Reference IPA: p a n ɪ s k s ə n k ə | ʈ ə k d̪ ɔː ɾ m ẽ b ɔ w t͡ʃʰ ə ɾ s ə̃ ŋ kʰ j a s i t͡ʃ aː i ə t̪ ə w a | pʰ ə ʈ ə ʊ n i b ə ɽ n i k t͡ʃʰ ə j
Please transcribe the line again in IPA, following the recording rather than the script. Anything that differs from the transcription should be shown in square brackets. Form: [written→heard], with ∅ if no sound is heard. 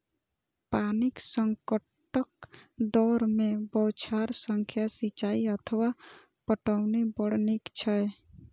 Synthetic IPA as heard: p a n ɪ [s→∅] k s ə [n→ŋ] k ə | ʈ ə k d̪ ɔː ɾ m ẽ b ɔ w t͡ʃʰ [ə→a] ɾ s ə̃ ŋ kʰ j a s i t͡ʃ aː i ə [t̪→t̪ʰ] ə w a | [pʰ→p] ə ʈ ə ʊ n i b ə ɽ n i k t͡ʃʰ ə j